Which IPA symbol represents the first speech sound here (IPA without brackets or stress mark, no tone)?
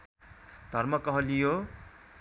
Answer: d̪ʱ